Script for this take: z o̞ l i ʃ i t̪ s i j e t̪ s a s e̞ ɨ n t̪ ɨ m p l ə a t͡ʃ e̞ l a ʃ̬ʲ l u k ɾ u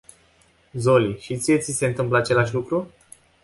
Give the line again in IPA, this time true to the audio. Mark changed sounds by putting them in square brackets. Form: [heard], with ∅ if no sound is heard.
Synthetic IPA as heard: z o̞ l i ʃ i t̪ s i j e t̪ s [i] s e̞ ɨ n t̪ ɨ m p l ə a t͡ʃ e̞ l a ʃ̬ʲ l u k ɾ u